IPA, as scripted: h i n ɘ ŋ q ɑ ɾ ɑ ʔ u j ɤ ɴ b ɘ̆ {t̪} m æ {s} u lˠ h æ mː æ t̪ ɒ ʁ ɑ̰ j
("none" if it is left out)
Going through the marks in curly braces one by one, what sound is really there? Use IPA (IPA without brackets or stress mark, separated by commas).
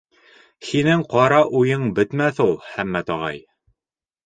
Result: t̪, θ